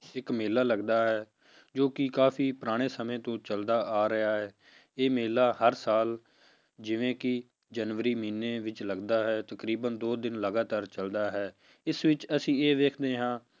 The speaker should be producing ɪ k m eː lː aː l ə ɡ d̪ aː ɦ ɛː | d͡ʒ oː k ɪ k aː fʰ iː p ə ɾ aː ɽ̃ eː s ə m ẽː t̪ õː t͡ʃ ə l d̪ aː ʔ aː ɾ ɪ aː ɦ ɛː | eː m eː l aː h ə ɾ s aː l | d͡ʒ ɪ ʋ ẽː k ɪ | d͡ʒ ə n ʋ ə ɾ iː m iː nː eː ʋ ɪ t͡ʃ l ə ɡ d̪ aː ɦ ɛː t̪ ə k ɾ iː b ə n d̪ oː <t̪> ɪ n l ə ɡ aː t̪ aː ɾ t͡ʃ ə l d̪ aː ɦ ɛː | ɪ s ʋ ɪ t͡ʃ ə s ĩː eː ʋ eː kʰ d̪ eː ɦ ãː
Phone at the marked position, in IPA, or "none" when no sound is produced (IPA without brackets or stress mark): d̪